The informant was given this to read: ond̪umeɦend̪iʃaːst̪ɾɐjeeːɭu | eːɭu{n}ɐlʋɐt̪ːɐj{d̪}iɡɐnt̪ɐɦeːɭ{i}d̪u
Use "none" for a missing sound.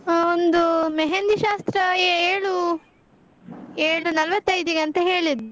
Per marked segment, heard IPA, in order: n, d̪, i

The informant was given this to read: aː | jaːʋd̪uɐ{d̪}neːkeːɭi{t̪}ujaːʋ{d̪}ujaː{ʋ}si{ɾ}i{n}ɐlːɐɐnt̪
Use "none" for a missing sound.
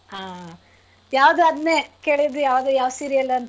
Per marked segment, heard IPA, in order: d̪, d̪, d̪, ʋ, ɾ, none

